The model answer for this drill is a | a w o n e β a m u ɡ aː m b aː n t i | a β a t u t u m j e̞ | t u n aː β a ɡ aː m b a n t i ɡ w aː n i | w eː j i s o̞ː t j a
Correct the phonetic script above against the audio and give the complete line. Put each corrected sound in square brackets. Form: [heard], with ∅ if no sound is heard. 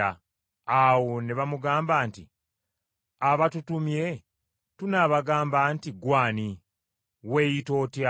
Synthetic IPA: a | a w o n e β a m u ɡ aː m b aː n t i | a β a t u t u m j e̞ | t u n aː β a ɡ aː m b a n t i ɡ w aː n i | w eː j i [t] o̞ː t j a